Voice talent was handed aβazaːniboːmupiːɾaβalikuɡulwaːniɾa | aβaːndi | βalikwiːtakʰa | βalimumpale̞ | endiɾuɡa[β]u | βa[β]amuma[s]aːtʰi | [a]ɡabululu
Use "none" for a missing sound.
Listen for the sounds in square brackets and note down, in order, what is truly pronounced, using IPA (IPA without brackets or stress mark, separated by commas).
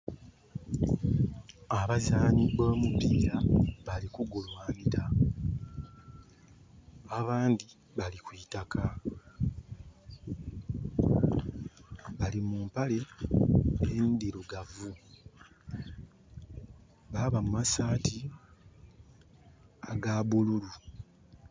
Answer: v, β, s, a